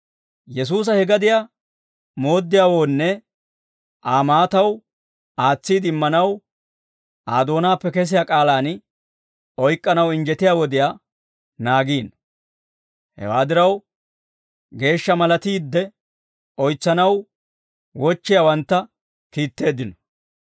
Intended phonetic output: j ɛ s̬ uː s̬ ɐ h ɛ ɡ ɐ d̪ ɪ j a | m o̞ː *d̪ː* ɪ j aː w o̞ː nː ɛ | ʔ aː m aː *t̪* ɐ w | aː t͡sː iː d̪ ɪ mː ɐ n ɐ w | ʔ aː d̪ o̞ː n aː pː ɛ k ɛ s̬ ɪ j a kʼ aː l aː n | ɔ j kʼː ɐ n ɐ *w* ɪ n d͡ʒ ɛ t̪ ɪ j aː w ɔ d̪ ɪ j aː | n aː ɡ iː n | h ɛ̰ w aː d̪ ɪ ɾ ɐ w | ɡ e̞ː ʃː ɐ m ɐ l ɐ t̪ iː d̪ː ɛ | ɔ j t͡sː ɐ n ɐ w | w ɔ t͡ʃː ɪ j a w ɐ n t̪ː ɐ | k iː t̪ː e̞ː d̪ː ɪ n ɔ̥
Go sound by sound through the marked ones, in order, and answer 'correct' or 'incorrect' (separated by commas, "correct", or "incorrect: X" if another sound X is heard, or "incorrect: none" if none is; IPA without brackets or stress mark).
correct, correct, correct